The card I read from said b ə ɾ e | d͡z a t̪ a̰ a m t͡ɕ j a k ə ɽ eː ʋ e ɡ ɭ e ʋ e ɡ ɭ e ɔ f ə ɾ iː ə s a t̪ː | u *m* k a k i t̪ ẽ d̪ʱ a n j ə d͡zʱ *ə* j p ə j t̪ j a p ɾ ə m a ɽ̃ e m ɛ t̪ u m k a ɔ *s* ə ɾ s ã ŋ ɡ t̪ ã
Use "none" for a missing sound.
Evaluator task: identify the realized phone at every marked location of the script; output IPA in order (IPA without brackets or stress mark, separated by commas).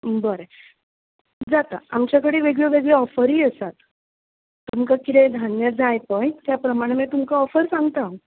m, a, f